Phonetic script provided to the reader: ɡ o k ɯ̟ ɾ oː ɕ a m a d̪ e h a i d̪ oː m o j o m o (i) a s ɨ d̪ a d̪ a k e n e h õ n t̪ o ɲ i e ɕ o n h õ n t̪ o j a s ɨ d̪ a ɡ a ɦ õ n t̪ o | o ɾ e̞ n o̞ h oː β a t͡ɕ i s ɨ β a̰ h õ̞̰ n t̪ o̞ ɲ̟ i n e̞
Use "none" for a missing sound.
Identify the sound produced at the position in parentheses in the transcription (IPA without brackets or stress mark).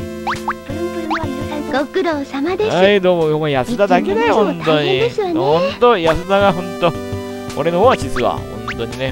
j